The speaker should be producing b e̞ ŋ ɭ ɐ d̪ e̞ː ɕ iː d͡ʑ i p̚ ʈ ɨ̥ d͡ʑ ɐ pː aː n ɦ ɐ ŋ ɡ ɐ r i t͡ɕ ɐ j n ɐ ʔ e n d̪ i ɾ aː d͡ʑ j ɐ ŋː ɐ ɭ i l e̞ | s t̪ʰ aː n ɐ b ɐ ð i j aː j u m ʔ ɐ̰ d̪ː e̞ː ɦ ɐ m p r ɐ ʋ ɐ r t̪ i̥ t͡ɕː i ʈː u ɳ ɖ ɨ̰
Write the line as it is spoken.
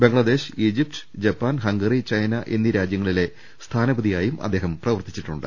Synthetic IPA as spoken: b e̞ ŋ ɭ ɐ d̪ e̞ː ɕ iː d͡ʑ i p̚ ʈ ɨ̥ d͡ʑ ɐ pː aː n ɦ ɐ ŋ ɡ ɐ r i t͡ɕ ɐ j n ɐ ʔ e n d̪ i ɾ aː d͡ʑ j ɐ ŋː ɐ ɭ i l e̞ | s t̪ʰ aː n ɐ b ɐ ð i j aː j u m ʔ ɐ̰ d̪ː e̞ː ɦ ɐ m p r ɐ ʋ ɐ r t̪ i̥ t͡ɕː i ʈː u ɳ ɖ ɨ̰

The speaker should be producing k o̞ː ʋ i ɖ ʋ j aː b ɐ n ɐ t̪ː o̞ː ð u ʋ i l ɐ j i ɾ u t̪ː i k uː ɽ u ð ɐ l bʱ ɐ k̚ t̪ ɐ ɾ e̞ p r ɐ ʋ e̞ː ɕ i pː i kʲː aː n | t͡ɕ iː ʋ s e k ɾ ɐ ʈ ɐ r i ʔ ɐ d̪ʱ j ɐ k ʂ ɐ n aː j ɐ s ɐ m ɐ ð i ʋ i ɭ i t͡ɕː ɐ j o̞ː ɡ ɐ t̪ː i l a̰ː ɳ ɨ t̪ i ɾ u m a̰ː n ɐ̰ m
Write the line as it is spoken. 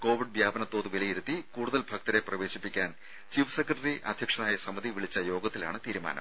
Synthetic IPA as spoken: k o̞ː ʋ i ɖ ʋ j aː b ɐ n ɐ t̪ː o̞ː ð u ʋ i l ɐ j i ɾ u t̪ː i k uː ɽ u ð ɐ l bʱ ɐ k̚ t̪ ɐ ɾ e̞ p r ɐ ʋ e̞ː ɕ i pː i kʲː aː n | t͡ɕ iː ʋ s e k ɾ ɐ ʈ ɐ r i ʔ ɐ d̪ʱ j ɐ k ʂ ɐ n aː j ɐ s ɐ m ɐ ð i ʋ i ɭ i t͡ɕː ɐ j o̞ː ɡ ɐ t̪ː i l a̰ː ɳ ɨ t̪ iː ɾ u m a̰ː n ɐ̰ m

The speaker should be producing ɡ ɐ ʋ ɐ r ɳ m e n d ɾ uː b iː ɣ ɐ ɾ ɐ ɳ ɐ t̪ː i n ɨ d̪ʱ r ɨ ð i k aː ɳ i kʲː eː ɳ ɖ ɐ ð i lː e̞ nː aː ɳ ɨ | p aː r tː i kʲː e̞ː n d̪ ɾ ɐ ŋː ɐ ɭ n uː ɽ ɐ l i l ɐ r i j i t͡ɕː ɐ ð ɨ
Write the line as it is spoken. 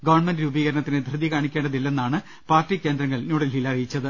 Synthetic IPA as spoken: ɡ ɐ ʋ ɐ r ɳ m e n d ɾ uː b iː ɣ ɐ ɾ ɐ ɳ ɐ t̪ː i n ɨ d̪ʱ r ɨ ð i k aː ɳ i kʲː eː ɳ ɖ ɐ ð i lː e̞ nː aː ɳ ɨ | p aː r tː i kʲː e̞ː n d̪ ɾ ɐ ŋː ɐ ɭ n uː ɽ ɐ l i l ɐ r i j i t͡ɕː ɐ ð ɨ

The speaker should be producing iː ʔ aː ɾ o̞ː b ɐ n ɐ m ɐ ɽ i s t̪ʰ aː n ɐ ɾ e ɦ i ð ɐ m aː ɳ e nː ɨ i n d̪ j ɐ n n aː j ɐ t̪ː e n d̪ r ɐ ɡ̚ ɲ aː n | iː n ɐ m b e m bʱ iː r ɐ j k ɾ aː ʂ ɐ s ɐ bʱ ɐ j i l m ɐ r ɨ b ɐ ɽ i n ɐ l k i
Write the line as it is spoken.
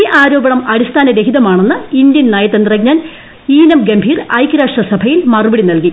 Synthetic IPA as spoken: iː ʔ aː ɾ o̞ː b ɐ ɳ ɐ m ɐ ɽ i s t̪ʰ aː n ɐ ɾ e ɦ i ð ɐ m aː ɳ e nː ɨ i n d̪ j ɐ n n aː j ɐ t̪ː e n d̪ r ɐ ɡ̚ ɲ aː n | iː n ɐ m ɡ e m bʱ iː r ɐ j k ɾ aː ʂ ɐ s ɐ bʱ ɐ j i l m ɐ r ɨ b ɐ ɽ i n ɐ l k i

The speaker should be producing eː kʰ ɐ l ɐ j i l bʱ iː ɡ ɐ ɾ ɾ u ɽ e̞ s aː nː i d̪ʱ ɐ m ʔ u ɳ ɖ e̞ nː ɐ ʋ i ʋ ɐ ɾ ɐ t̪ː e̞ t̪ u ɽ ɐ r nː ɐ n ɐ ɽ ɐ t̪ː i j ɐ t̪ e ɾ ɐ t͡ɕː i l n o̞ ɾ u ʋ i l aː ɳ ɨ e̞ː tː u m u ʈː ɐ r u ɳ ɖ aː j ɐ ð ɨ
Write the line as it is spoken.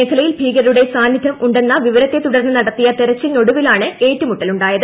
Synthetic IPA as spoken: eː kʰ ɐ l ɐ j i l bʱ iː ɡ ɐ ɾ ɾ u ɽ e̞ s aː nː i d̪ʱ ɐ m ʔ u ɳ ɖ e̞ nː ɐ ʋ i ʋ ɐ ɾ ɐ t̪ː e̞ t̪ u ɽ ɐ r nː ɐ n ɐ ɽ ɐ t̪ː i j ɐ t̪ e ɾ ɐ t͡ɕː i l n o̞ ɽ u ʋ i l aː ɳ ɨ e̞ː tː u m u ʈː ɐ l u ɳ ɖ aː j ɐ ð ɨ

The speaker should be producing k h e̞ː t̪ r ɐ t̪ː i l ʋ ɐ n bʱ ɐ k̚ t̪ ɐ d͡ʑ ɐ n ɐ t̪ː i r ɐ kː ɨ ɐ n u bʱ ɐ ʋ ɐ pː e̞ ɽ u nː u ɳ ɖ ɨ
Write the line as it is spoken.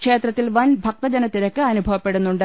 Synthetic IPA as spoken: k ʂ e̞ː t̪ r ɐ t̪ː i l ʋ ɐ n bʱ ɐ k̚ t̪ ɐ d͡ʑ ɐ n ɐ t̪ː i ɾ ɐ kː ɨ ɐ n u bʱ ɐ ʋ ɐ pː e̞ ɽ u nː u ɳ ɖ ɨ

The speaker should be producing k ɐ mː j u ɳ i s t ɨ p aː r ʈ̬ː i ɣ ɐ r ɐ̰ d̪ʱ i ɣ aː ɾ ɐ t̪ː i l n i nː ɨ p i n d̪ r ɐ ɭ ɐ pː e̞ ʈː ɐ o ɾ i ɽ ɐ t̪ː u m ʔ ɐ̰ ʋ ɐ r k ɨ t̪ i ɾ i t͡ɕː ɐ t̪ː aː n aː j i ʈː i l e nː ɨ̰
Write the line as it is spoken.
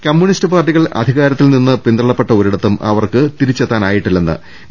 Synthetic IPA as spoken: k ɐ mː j u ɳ i s t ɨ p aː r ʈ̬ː i ɣ ɐ ɭ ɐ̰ d̪ʱ i ɣ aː ɾ ɐ t̪ː i l n i nː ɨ p i n d̪ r ɐ ɭ ɐ pː e̞ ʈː ɐ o ɾ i ɽ ɐ t̪ː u m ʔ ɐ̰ ʋ ɐ r k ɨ t̪ i ɾ i t͡ɕː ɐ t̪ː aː n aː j i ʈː i lː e nː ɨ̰

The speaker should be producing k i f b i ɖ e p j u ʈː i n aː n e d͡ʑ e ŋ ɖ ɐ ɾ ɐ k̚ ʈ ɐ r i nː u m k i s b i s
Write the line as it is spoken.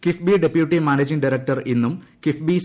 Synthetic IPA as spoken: k i f b i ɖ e p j u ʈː i m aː n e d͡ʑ i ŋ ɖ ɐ ɾ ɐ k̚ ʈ ɐ r i nː u m k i f b i s

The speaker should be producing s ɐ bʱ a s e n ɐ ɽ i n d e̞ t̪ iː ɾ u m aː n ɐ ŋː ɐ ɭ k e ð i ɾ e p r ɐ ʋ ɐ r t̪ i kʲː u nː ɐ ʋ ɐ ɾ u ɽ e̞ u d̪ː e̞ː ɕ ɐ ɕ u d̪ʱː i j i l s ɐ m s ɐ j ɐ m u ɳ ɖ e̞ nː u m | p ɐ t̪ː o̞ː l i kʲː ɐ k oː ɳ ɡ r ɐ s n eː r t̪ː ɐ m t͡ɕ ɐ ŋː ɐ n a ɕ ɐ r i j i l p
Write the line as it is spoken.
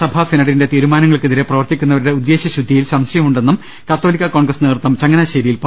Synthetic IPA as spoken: s ɐ bʱ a s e n ɐ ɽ i n d e̞ t̪ iː ɾ u m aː n ɐ ŋː ɐ ɭ k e ð i ɾ e p r ɐ ʋ ɐ r t̪ i kʲː u nː ɐ ʋ ɐ ɾ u ɽ e̞ u d̪ː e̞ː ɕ ɐ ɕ u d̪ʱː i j i l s ɐ m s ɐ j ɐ m u ɳ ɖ e̞ nː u m | k ɐ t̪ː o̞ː l i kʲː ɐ k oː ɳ ɡ r ɐ s n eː r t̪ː ɐ m t͡ɕ ɐ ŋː ɐ n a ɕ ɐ ɾ i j i l p

